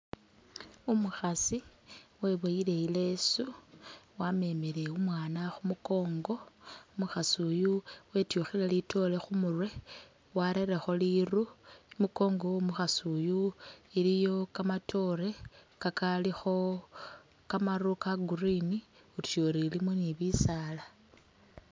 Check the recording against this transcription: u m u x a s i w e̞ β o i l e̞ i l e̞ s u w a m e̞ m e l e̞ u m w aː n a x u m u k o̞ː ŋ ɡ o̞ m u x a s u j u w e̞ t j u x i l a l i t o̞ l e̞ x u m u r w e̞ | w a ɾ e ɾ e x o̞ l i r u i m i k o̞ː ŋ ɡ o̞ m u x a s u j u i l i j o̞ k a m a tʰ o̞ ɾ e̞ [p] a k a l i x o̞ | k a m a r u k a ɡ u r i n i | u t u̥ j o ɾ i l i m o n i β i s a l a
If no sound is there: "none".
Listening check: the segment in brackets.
k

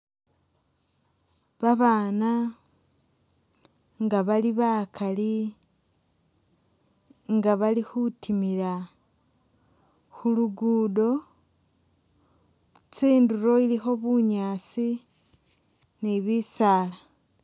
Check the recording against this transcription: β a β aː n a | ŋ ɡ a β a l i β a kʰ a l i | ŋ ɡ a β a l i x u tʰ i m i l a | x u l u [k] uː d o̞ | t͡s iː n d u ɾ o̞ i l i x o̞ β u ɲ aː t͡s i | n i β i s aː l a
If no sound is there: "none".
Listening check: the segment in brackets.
ɡ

